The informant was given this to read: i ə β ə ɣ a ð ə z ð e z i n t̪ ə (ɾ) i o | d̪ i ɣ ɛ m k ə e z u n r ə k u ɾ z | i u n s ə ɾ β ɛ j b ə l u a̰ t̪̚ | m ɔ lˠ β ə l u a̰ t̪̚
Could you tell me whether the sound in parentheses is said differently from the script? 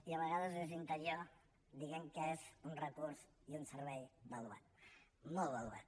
no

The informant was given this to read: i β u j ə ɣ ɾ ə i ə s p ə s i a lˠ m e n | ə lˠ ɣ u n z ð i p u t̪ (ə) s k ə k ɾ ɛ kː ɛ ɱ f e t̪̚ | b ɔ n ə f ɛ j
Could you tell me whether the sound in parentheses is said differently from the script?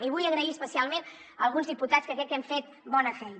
yes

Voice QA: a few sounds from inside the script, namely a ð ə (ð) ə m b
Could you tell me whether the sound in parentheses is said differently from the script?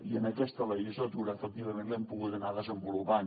yes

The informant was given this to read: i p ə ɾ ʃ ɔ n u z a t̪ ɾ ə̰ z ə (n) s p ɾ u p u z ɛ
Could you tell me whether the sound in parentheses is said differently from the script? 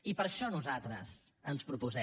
no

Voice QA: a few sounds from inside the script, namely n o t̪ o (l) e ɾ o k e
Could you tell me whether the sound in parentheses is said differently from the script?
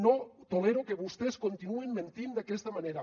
no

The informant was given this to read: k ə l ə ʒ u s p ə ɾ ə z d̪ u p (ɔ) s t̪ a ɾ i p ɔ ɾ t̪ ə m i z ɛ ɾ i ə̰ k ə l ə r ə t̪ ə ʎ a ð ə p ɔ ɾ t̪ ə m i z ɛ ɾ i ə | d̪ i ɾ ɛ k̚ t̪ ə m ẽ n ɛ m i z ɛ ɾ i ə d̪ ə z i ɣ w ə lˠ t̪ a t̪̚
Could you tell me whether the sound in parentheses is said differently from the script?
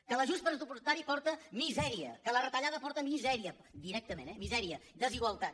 yes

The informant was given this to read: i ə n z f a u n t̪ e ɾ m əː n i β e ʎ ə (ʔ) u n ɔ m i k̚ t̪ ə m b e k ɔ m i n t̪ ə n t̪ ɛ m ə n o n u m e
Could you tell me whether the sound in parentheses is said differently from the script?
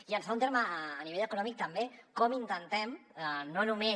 yes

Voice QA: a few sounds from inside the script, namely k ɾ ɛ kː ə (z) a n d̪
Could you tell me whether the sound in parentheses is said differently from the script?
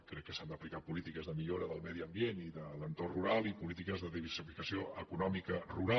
yes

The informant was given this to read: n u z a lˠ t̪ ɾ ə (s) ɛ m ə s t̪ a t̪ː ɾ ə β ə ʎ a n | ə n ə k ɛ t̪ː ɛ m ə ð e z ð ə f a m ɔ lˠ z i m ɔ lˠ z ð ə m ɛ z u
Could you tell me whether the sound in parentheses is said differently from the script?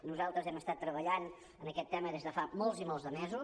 yes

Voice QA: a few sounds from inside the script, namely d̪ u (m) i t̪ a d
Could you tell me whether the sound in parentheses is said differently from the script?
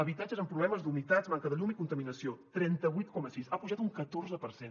yes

